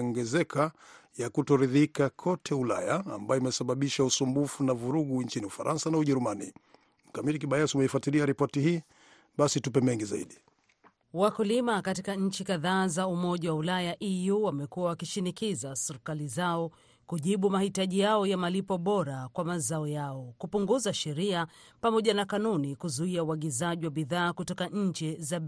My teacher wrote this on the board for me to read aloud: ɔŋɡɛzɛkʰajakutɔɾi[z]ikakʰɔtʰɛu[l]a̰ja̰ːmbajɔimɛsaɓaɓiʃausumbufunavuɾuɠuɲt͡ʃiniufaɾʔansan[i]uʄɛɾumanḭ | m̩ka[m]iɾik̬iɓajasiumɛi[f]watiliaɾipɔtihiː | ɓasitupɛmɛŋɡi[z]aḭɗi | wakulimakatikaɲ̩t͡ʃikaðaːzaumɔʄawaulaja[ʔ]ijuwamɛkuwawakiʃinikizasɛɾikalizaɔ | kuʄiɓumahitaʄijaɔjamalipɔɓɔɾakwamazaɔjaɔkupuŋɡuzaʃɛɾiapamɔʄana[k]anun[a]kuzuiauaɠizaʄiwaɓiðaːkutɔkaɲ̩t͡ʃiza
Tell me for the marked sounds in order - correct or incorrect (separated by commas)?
incorrect, correct, incorrect, correct, correct, correct, correct, correct, incorrect